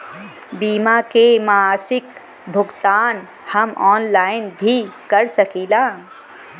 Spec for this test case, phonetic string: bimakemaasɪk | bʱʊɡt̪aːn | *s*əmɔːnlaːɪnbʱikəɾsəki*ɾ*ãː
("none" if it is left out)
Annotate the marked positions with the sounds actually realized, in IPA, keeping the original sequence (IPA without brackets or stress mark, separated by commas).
h, l